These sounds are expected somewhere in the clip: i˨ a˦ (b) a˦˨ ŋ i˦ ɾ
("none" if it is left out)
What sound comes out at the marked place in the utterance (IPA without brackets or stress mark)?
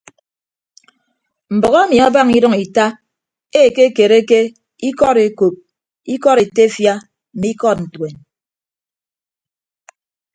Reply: b